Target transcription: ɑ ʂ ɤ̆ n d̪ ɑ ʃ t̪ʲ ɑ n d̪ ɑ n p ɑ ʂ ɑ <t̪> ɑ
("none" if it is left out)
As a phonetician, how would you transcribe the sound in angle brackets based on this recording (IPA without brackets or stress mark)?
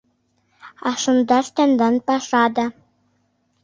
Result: d̪